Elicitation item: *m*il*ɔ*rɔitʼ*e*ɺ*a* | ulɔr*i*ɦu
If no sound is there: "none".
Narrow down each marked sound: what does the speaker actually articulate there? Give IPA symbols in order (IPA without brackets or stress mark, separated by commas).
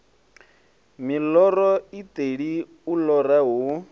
m, ɔ, e, i, a